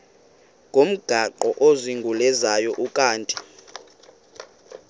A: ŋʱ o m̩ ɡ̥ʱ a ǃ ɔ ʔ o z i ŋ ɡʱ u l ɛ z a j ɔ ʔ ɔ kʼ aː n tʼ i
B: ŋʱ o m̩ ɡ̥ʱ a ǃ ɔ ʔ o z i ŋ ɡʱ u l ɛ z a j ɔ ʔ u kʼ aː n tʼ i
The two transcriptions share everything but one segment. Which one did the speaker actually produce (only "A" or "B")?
B